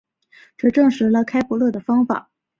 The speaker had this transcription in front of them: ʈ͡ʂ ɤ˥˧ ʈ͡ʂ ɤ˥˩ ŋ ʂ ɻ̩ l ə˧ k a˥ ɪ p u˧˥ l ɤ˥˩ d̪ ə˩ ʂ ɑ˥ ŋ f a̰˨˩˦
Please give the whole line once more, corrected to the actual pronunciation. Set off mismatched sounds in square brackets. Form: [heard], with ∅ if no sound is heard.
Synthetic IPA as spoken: ʈ͡ʂ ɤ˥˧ ʈ͡ʂ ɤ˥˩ ŋ ʂ ɻ̩ l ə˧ [kʰ] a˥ ɪ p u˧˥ l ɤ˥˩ d̪ ə˩ [f] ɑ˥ ŋ f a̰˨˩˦